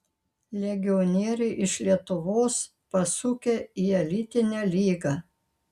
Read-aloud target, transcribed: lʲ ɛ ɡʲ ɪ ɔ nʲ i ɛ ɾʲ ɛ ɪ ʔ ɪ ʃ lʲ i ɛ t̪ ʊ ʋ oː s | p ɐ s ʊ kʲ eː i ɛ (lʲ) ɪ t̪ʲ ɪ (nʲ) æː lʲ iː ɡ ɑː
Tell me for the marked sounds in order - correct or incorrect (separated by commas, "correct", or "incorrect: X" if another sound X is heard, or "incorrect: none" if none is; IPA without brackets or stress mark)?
correct, correct